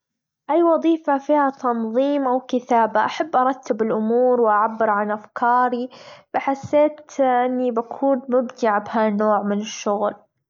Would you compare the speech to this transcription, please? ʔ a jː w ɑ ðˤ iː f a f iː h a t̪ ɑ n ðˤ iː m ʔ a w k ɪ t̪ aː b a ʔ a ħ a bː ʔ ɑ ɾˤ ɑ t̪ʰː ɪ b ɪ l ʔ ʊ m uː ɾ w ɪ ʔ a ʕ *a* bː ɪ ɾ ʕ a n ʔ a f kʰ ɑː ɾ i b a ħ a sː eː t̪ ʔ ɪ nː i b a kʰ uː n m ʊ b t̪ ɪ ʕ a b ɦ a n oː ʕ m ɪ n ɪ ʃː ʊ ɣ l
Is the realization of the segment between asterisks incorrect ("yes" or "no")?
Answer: no